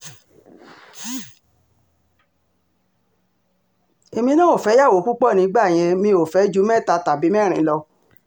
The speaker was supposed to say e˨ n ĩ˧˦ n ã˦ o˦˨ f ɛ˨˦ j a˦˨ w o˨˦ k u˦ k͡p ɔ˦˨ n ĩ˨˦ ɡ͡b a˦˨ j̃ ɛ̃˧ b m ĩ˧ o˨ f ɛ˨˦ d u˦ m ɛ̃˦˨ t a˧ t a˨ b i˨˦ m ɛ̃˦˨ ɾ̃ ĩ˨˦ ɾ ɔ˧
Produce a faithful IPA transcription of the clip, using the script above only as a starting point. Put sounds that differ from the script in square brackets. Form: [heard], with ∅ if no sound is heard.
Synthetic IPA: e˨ [m] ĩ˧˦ n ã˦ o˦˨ f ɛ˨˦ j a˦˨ w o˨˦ k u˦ k͡p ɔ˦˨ n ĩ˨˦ ɡ͡b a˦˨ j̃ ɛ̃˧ [∅] m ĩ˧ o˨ f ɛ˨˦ [d͡ʒ] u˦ m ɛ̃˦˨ t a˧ t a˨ b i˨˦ m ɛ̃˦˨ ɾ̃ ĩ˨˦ [l] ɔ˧